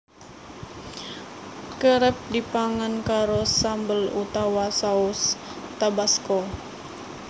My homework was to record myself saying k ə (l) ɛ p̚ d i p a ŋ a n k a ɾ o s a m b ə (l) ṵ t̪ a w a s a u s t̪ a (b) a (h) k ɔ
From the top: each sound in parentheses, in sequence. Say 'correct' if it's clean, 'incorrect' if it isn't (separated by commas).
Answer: incorrect, correct, correct, incorrect